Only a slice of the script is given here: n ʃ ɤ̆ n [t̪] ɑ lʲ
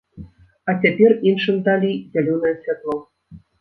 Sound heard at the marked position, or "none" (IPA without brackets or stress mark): d̪